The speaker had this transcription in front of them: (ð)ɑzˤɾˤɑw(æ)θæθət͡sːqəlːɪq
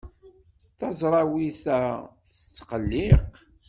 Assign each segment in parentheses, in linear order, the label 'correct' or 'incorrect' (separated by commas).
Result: incorrect, incorrect